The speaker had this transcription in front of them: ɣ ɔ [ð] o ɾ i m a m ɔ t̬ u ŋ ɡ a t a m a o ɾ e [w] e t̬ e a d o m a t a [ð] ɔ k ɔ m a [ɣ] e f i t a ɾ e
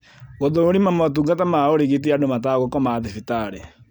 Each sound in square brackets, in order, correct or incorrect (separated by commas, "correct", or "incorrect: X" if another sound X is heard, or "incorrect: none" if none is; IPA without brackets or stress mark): correct, incorrect: ɣ, incorrect: ɣ, incorrect: ð